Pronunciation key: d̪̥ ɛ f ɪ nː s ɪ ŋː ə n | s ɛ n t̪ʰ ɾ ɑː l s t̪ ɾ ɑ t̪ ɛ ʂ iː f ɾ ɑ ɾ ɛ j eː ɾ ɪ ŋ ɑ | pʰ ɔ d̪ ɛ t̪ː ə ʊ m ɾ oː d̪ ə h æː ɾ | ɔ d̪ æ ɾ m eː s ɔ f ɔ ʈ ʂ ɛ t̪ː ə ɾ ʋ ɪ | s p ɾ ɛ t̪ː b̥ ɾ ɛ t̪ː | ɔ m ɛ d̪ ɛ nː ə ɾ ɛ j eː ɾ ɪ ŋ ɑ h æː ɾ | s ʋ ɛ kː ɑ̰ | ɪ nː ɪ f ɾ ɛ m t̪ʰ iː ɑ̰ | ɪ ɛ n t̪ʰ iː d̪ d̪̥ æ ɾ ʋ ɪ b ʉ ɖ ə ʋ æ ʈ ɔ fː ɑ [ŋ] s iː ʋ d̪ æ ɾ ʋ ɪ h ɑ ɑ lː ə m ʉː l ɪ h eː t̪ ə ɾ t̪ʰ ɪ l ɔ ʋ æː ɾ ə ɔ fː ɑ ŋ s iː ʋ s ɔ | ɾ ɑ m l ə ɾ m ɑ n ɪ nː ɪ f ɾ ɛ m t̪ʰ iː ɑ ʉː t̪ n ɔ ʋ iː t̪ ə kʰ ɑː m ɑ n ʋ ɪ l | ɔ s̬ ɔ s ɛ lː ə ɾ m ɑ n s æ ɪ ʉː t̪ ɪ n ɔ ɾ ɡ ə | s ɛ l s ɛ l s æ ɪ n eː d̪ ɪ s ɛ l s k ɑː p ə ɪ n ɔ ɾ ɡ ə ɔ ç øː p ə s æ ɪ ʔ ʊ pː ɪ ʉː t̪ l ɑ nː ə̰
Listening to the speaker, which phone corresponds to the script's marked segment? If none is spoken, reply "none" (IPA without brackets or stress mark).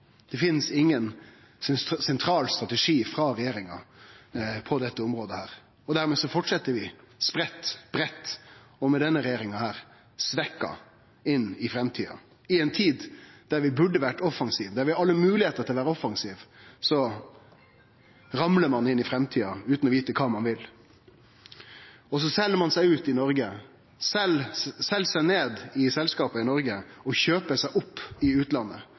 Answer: ŋ